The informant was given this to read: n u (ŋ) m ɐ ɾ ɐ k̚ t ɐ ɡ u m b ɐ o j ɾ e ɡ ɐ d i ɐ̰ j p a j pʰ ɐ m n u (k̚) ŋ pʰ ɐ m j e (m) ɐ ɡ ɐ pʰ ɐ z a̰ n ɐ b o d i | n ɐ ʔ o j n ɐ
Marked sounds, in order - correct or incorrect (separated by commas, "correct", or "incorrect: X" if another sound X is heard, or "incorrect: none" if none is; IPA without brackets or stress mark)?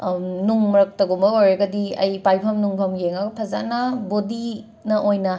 correct, incorrect: none, incorrect: ŋ